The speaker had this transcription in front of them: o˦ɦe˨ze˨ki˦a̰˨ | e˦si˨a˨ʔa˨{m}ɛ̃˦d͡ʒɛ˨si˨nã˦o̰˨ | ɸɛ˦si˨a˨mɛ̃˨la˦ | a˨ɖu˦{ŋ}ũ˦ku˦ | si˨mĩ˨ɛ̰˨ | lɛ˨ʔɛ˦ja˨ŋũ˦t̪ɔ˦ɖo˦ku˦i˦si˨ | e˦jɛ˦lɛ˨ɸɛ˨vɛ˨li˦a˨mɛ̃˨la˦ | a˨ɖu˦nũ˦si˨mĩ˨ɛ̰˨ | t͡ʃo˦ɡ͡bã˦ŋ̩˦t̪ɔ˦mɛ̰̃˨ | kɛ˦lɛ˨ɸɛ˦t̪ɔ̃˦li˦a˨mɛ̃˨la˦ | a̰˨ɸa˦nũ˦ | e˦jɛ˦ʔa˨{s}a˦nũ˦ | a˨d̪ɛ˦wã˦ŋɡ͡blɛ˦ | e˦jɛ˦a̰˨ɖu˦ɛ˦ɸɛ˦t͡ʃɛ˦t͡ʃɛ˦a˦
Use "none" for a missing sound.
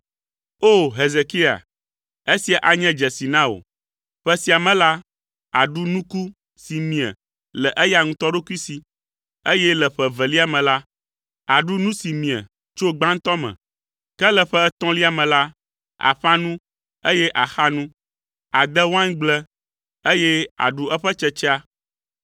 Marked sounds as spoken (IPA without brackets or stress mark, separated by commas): ɲ, n, x